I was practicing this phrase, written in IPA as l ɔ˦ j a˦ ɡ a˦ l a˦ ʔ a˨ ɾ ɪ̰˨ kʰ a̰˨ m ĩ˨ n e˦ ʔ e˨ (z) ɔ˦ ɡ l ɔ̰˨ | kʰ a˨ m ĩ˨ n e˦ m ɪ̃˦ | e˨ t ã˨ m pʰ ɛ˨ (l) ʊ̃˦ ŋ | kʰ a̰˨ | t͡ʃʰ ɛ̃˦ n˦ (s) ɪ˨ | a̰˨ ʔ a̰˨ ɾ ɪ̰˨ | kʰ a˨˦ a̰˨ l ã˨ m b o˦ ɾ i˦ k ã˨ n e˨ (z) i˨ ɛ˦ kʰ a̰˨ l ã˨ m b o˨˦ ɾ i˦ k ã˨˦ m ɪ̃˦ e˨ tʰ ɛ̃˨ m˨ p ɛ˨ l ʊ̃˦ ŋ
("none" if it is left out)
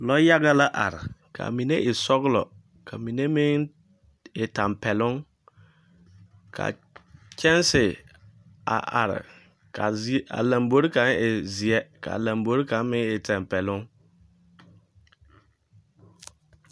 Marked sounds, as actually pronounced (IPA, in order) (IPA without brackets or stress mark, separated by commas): s, l, s, z